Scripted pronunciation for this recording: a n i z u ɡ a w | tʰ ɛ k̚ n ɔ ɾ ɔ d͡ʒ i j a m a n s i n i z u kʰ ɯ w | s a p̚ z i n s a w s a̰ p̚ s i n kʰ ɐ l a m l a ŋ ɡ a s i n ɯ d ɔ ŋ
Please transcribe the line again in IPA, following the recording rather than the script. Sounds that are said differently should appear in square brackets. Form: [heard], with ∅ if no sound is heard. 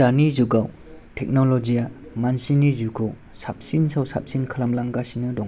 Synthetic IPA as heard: a n i z u ɡ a w | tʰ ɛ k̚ n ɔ [l] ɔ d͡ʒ i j a m a n s i n i z u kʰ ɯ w | s a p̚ [s] i n s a w s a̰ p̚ s i n kʰ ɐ l a m l a ŋ ɡ a s i n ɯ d ɔ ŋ